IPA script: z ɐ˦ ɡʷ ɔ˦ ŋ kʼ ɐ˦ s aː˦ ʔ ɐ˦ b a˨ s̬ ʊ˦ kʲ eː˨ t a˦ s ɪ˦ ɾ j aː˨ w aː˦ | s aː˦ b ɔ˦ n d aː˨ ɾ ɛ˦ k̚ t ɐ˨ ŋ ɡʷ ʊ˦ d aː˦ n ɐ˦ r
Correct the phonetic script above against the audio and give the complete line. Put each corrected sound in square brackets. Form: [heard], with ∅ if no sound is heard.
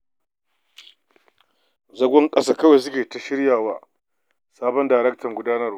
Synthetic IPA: z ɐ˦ ɡʷ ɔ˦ ŋ kʼ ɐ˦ s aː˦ [k] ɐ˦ [w] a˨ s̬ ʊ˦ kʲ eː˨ t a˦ [ʃ] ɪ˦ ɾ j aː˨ w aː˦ | s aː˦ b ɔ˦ n d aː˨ ɾ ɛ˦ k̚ t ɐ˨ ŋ ɡʷ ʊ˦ d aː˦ n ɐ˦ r